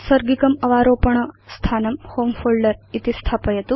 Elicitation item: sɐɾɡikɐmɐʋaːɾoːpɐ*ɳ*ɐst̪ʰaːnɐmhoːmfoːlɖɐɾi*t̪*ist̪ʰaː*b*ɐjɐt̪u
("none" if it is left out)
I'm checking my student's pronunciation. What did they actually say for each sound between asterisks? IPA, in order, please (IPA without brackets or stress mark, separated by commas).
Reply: ɳ, t̪, p